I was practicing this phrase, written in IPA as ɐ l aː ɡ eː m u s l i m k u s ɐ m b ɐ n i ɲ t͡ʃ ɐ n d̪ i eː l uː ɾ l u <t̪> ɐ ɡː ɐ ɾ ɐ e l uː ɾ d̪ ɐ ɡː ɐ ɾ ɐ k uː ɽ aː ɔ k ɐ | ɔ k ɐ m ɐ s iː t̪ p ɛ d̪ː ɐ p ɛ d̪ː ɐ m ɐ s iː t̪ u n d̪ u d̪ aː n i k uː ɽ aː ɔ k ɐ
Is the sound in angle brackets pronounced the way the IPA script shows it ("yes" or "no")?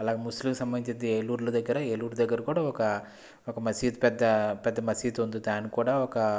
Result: no